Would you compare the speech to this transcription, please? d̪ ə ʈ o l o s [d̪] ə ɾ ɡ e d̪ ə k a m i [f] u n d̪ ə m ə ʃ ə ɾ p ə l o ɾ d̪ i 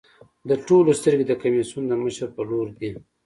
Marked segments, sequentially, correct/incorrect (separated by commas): incorrect, incorrect